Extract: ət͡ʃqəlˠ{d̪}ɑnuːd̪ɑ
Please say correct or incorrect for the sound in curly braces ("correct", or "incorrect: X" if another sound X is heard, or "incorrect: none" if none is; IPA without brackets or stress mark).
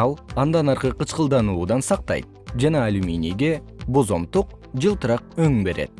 correct